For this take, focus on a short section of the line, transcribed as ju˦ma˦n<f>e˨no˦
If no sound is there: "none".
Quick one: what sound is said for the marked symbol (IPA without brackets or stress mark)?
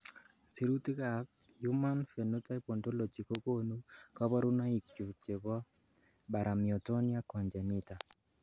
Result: f